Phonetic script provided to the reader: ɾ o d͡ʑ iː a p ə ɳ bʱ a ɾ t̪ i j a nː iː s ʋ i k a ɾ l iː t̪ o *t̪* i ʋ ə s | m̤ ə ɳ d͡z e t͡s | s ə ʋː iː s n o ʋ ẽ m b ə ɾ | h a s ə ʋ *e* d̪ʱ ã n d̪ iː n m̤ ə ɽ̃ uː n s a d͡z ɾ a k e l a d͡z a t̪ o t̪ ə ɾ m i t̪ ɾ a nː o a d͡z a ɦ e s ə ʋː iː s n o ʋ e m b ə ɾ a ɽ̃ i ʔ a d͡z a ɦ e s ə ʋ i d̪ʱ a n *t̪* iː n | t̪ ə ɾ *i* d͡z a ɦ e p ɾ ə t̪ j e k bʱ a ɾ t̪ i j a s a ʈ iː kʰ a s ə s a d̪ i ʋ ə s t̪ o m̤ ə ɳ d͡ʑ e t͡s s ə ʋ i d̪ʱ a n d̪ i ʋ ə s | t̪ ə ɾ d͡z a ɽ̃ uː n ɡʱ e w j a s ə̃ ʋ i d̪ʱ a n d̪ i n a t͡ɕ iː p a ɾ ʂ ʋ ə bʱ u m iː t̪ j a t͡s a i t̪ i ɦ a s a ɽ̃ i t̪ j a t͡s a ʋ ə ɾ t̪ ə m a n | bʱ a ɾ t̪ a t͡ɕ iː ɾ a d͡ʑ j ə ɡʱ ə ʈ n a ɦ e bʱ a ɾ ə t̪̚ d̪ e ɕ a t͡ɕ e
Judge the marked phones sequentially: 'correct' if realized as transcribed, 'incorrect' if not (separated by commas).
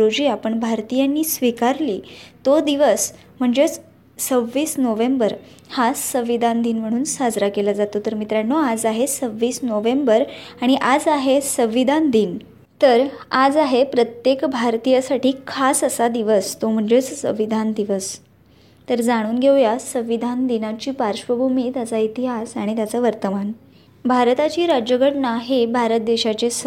incorrect, incorrect, incorrect, incorrect